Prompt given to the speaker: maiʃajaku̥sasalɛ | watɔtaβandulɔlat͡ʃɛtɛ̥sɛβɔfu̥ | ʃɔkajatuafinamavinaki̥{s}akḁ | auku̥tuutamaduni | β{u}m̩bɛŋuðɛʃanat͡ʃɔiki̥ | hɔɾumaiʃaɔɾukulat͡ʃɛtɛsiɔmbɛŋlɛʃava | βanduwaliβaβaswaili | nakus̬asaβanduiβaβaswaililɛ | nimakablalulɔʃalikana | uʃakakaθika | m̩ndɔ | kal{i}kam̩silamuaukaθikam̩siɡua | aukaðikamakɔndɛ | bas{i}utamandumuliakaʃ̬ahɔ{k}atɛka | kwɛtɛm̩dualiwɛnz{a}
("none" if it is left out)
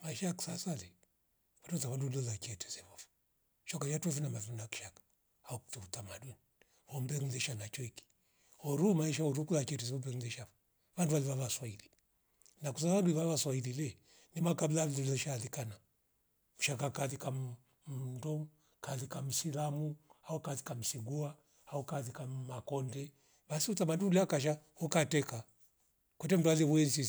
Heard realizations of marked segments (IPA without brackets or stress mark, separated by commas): ʃ, ɔ, i, i, k, i